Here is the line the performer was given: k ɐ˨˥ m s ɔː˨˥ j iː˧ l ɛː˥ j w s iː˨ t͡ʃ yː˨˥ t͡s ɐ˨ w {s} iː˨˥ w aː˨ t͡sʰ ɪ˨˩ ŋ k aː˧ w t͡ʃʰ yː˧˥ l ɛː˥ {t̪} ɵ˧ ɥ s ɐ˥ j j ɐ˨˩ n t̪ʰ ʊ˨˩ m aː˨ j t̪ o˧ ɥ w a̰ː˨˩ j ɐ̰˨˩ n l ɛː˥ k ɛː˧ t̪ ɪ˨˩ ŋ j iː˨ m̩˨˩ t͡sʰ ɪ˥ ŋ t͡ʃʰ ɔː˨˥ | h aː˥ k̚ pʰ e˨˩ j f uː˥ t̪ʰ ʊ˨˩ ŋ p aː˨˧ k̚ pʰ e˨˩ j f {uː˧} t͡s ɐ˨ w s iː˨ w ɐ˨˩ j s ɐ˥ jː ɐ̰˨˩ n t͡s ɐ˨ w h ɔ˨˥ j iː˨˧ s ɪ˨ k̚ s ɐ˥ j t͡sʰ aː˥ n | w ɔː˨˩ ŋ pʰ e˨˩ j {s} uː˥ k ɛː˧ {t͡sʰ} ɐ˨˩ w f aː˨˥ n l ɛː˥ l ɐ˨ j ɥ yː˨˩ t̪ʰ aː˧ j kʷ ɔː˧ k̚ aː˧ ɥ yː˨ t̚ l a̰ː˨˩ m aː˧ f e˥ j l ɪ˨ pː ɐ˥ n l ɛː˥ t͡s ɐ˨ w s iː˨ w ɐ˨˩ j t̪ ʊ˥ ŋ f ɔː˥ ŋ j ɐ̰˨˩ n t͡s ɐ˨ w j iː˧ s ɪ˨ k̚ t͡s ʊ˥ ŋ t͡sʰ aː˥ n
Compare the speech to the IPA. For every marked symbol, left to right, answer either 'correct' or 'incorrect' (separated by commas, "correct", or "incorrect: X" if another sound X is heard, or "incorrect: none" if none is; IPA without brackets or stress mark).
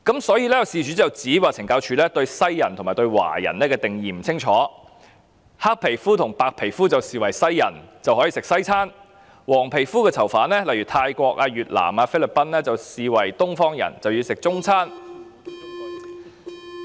incorrect: t͡s, correct, incorrect: uː˥, incorrect: f, correct